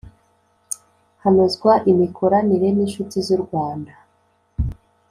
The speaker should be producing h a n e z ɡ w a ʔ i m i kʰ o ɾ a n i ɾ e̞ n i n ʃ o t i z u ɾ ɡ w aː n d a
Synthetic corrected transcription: h a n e z ɡ w a ʔ i m i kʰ o ɾ a n i ɾ e̞ n i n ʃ u t i z u ɾ ɡ w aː n d a